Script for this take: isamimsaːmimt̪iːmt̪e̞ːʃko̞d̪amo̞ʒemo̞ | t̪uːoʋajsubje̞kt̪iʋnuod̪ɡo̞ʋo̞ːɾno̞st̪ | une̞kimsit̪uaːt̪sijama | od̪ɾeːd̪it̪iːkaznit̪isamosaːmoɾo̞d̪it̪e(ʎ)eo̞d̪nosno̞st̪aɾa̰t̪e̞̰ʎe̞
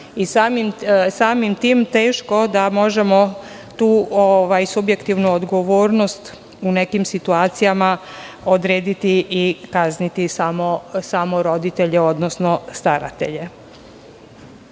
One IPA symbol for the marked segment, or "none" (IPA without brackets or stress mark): ʎ